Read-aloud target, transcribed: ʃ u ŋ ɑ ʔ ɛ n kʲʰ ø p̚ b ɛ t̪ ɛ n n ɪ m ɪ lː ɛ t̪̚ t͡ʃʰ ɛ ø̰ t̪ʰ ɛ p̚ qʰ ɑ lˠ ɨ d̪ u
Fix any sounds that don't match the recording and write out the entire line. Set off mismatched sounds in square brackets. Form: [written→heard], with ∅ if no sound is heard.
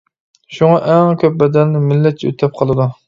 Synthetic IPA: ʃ u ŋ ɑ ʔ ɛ [n→ŋ] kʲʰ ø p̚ b ɛ [t̪→d̪] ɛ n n ɪ m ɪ lː ɛ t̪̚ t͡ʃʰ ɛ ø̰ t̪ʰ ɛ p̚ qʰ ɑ lˠ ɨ d̪ u